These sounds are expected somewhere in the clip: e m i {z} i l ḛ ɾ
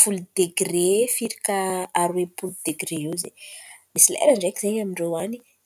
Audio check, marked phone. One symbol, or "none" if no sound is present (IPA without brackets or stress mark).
s